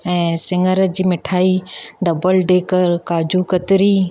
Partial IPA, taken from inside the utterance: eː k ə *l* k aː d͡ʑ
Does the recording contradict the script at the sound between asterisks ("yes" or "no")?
yes